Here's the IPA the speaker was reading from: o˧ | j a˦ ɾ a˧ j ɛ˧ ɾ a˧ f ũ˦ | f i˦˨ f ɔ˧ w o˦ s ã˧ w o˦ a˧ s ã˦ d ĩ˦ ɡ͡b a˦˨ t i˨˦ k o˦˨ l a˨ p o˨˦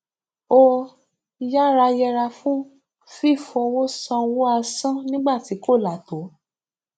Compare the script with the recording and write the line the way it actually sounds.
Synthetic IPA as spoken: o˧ | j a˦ ɾ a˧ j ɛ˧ ɾ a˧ f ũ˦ | f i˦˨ f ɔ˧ w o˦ s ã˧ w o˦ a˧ s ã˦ n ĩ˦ ɡ͡b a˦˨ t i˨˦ k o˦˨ l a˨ t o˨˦

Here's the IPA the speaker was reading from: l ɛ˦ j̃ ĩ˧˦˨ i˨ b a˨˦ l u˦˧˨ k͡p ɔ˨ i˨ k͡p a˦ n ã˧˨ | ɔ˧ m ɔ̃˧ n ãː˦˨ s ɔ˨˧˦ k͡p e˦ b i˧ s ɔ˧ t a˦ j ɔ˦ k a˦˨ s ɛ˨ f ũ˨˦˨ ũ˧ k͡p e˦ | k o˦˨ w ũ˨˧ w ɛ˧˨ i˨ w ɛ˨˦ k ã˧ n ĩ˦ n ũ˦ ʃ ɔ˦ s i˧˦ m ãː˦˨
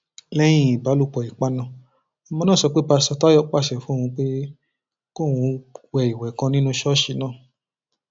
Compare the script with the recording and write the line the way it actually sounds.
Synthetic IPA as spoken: l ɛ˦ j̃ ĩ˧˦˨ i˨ b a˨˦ l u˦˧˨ k͡p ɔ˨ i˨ k͡p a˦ n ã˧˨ | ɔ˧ m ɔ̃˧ n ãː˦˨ s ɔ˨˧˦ k͡p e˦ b a˧ s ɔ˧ t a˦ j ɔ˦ k͡p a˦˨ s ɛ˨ f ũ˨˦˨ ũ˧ k͡p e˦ | k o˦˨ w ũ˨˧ w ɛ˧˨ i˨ w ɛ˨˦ k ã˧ n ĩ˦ n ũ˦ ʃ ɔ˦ ʃ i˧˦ n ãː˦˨

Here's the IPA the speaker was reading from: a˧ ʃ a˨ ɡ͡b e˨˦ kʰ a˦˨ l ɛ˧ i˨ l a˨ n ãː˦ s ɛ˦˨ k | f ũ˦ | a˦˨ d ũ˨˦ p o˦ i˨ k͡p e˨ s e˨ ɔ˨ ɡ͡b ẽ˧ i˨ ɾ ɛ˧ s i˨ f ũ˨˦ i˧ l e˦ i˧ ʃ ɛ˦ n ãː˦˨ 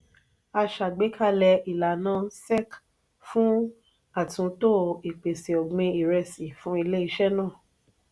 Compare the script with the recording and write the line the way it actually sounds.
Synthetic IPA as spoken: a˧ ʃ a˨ ɡ͡b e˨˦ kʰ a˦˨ l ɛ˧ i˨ l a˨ n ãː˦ s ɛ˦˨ k | f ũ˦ | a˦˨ t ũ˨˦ t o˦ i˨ k͡p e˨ s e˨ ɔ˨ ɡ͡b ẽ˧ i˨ ɾ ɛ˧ s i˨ f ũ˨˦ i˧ l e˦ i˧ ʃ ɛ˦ n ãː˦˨

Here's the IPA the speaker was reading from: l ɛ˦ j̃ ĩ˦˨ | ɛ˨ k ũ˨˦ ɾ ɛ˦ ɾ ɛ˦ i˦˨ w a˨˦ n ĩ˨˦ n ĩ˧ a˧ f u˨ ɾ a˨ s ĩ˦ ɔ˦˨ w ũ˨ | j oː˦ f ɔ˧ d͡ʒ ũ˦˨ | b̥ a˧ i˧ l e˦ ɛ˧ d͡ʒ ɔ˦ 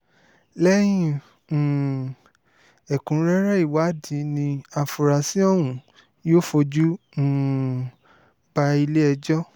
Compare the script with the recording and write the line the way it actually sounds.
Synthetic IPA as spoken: l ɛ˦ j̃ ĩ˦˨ | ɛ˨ k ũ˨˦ ɾ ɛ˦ ɾ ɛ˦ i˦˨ w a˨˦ d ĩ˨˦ n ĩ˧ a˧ f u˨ ɾ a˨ s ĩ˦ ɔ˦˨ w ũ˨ | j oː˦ f o˧ d͡ʒ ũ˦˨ | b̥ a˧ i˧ l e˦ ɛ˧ d͡ʒ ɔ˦

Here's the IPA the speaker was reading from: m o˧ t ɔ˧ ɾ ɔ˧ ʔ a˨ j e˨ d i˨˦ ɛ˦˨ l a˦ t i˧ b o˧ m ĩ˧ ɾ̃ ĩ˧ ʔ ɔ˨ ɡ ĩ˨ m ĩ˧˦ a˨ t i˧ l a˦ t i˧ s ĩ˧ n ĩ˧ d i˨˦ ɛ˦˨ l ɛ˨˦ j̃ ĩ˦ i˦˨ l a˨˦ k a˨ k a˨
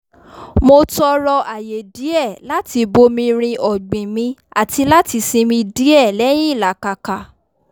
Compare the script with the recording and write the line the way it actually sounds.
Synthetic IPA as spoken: m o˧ t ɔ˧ ɾ ɔ˧ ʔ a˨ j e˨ d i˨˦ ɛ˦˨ l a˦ t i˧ b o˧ m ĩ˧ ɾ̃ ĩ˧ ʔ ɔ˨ ɡ͡b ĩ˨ m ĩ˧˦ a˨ t i˧ l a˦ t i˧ s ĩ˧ m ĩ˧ d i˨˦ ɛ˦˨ l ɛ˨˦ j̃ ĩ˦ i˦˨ l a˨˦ k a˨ k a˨

